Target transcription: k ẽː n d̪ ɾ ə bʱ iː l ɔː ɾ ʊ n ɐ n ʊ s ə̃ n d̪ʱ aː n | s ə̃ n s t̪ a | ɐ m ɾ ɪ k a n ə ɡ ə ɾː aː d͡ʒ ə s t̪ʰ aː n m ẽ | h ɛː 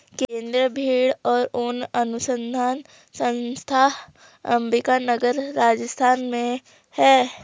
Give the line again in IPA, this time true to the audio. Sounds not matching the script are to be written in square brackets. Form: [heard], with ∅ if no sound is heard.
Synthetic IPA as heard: k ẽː n d̪ ɾ ə bʱ iː [ɽ] ɔː ɾ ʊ n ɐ n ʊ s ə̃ n d̪ʱ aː n | s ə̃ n s [t̪ʰ] a | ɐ m ɾ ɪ k a n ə ɡ ə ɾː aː d͡ʒ ə s t̪ʰ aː n m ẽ | h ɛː